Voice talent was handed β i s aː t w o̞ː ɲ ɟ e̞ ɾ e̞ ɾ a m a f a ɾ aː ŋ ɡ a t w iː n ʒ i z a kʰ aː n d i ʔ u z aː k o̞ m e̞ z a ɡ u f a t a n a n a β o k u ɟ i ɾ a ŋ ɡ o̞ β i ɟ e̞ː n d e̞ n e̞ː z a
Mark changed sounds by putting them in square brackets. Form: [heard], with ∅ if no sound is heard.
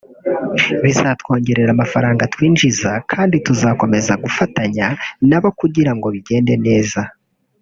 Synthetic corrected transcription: β i [z] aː t w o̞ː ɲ ɟ e̞ ɾ e̞ ɾ a m a f a ɾ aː ŋ ɡ a t w iː n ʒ i z a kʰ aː n d i [t] u z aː k o̞ m e̞ z a ɡ u f a t a [ɲ] a n a β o k u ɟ i ɾ a ŋ ɡ o̞ β i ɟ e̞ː n d e̞ n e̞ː z a